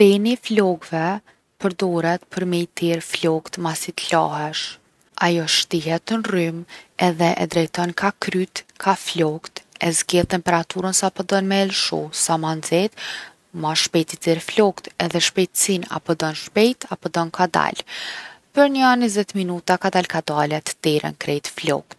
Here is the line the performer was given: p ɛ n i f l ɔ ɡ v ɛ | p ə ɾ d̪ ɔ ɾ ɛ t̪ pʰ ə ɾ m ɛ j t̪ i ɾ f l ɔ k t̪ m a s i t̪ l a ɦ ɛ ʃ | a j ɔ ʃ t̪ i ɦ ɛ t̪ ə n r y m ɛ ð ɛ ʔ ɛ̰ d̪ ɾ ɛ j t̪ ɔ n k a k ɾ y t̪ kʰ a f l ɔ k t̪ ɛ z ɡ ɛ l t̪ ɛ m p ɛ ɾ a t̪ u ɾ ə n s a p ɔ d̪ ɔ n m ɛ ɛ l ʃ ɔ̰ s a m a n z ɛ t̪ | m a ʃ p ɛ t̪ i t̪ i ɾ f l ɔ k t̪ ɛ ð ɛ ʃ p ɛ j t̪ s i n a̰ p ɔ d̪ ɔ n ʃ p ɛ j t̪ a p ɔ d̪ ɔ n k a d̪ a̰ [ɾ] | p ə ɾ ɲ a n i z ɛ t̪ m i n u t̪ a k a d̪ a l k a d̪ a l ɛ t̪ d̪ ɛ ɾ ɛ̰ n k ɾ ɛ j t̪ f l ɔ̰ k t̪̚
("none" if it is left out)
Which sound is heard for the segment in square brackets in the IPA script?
l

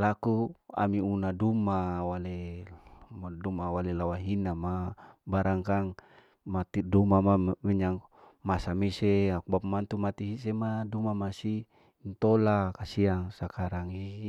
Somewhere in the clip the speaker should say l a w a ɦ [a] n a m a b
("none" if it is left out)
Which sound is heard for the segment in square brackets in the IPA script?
i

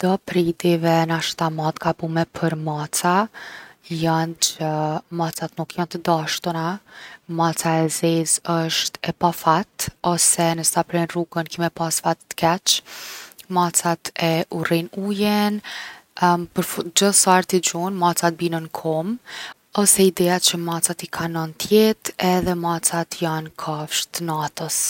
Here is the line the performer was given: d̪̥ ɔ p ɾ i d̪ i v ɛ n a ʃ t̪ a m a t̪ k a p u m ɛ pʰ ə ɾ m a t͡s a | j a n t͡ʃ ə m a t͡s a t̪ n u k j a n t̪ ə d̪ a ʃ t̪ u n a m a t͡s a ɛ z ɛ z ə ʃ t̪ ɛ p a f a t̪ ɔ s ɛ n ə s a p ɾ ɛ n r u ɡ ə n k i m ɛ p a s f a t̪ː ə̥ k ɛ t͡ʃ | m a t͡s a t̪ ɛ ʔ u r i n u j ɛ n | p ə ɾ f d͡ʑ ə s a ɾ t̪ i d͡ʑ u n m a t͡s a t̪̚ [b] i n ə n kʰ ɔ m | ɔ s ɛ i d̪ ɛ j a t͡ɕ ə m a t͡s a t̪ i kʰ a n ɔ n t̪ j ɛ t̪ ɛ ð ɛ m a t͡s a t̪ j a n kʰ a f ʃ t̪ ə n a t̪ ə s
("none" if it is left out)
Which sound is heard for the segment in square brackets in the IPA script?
b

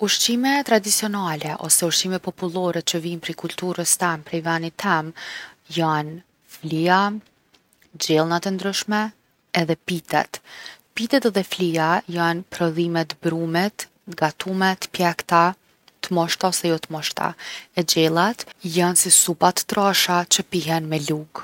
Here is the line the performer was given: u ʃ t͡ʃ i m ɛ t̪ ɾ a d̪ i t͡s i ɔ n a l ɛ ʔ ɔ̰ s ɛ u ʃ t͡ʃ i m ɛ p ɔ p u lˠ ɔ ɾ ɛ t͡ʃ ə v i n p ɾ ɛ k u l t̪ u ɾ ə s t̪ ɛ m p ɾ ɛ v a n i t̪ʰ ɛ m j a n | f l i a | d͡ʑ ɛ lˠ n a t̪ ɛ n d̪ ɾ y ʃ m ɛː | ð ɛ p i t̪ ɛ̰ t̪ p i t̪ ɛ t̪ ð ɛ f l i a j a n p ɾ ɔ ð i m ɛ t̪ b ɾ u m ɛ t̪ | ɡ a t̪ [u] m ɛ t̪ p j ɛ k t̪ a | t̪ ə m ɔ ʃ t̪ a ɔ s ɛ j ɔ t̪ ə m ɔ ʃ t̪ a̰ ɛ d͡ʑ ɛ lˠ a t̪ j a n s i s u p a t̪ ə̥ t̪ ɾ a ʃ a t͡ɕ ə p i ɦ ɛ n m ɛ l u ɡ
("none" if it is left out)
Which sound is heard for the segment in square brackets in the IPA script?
u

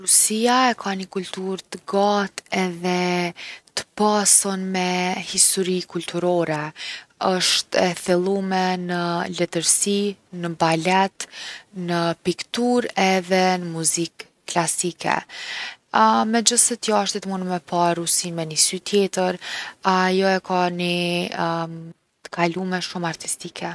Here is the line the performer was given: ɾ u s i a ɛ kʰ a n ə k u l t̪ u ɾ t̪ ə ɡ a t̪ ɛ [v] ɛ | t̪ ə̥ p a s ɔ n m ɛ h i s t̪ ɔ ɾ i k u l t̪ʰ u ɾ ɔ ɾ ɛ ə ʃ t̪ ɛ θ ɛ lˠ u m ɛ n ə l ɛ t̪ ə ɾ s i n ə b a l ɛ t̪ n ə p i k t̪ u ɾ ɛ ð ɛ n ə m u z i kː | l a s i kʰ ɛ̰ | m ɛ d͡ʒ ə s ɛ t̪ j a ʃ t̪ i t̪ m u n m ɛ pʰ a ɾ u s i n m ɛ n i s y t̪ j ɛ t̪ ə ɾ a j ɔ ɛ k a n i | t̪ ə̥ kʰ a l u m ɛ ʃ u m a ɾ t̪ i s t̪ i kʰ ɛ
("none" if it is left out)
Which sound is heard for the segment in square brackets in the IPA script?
ð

